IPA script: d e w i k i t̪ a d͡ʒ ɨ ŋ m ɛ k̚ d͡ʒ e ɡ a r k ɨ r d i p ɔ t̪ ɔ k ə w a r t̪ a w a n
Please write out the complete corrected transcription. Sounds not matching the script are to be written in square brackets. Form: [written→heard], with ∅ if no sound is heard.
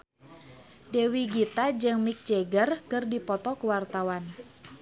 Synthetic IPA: d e w i [k→ɡ] i t̪ a d͡ʒ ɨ ŋ m [ɛ→i] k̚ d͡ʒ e ɡ [a→ə] r k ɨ r d i p ɔ t̪ ɔ k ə w a r t̪ a w a n